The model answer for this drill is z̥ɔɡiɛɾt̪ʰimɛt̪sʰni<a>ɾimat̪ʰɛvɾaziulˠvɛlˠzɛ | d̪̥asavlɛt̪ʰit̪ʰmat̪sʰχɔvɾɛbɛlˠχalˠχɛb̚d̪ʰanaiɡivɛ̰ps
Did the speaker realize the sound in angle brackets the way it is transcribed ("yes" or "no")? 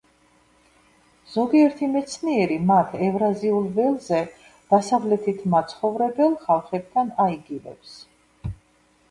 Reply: no